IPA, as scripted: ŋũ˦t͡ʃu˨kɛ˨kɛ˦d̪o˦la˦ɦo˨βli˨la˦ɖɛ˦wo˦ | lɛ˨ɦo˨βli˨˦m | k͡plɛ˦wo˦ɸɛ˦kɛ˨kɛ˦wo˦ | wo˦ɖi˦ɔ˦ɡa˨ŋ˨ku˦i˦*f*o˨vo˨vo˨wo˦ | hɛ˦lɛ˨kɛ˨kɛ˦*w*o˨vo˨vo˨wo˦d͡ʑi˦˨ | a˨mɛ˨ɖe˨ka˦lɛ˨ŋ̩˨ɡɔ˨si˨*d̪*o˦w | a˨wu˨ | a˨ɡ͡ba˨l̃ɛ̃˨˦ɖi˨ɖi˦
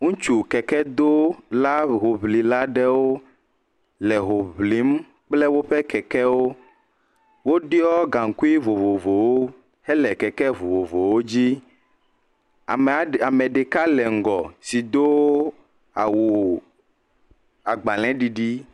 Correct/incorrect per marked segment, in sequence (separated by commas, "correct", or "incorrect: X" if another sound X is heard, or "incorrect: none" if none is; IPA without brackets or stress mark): incorrect: v, incorrect: v, correct